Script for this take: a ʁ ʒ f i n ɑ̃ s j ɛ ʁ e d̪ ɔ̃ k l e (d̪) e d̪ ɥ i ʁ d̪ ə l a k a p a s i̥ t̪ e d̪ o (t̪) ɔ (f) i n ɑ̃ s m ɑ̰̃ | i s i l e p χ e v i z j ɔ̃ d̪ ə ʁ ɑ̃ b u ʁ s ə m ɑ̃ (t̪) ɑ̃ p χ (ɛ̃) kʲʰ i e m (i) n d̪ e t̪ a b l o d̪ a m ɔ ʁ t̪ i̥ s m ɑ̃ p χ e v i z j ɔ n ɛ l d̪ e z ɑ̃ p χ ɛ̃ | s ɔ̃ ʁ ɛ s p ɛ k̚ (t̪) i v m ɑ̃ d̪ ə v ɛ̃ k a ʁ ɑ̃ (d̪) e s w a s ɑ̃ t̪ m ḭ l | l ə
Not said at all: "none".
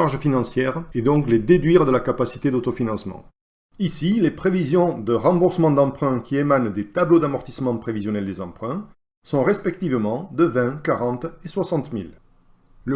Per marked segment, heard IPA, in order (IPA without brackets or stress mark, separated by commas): d̪, t̪, f, d̪, ɛ̃, a, t̪, t̪